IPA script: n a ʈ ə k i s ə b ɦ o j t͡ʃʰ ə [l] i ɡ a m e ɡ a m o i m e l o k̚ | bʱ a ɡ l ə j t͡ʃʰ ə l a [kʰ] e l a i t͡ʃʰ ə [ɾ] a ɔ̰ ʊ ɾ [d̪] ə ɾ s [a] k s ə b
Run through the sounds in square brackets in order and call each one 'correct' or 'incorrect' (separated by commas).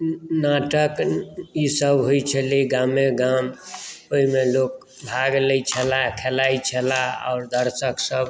correct, correct, incorrect, correct, incorrect